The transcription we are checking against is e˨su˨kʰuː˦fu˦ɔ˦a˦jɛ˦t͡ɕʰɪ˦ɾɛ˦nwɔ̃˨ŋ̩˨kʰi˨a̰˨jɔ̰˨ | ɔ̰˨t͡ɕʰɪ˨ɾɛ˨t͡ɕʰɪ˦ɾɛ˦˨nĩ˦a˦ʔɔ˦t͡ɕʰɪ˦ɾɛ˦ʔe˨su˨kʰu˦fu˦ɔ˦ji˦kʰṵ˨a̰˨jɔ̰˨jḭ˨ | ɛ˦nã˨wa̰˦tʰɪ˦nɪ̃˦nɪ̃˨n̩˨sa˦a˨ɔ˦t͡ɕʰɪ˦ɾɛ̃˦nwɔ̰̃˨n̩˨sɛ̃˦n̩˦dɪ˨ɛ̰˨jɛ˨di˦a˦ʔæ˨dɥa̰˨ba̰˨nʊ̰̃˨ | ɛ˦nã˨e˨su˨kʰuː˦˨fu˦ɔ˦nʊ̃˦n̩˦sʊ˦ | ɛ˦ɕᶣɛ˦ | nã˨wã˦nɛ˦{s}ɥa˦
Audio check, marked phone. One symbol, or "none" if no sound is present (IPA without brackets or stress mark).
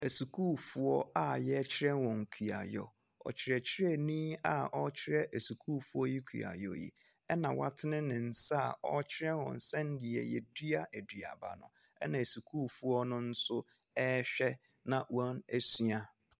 s